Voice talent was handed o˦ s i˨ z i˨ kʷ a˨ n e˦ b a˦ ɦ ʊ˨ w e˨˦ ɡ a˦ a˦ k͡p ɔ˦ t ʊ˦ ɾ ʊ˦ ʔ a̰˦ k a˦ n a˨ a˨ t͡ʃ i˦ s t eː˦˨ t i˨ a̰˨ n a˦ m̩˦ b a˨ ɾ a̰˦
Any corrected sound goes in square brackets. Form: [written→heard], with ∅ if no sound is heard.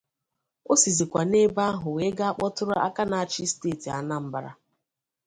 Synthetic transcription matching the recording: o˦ s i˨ z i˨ kʷ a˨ n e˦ b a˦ ɦ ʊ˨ w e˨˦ ɡ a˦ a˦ k͡p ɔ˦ t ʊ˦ ɾ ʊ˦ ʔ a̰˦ k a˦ n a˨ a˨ t͡ʃ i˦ s t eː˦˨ t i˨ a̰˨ n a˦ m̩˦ b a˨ ɾ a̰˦